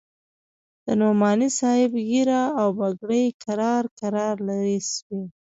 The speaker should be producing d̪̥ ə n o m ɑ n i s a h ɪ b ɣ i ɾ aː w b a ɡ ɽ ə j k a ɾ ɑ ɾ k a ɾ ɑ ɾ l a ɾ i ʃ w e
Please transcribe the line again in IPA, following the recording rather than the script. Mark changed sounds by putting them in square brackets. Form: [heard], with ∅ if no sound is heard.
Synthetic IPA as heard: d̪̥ ə n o m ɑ n i s [ɑ] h ɪ b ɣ i ɾ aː w b a ɡ ɽ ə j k a ɾ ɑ ɾ k a ɾ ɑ ɾ l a ɾ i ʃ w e